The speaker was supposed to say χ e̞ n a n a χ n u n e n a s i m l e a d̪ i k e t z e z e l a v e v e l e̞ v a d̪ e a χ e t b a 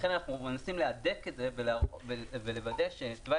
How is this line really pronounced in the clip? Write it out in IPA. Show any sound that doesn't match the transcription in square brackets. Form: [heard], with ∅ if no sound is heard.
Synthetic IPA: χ e̞ n a n a χ n u [m] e n a s i m l e a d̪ [e] k e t z e [v] e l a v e v e l e̞ v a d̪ e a [ʃ] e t [v] a